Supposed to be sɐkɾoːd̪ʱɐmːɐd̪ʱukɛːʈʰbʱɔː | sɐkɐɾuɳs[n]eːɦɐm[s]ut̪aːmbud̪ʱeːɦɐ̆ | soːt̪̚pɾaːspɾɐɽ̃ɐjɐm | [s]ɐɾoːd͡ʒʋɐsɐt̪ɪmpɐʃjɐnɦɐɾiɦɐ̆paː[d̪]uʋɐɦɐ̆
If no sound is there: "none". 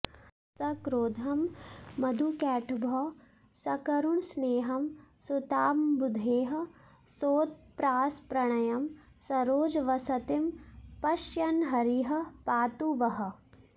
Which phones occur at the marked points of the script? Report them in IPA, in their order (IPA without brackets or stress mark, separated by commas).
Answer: n, s, s, t̪